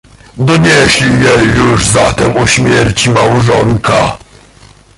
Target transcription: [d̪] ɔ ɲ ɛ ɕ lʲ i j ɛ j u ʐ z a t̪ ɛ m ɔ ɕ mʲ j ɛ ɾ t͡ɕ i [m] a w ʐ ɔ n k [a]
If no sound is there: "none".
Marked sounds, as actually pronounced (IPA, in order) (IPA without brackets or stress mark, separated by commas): d̪, m, a